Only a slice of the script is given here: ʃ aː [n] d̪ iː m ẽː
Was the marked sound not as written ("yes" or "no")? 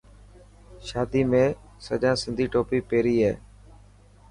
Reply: yes